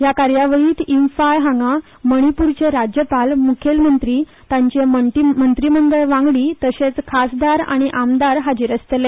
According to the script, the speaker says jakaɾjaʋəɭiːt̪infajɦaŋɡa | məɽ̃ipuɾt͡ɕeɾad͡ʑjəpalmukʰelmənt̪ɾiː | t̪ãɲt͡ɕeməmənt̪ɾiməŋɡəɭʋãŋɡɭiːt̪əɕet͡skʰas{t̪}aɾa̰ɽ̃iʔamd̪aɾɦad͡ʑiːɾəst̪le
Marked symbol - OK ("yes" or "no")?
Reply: no